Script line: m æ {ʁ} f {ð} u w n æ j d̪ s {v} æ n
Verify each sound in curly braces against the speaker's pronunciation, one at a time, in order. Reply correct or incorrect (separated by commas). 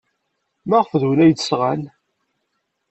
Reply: correct, correct, incorrect